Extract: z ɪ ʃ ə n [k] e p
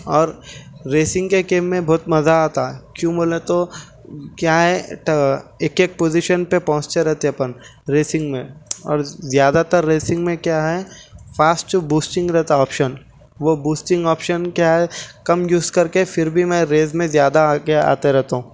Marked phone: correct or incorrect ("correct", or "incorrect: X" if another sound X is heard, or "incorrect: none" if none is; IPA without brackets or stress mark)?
incorrect: p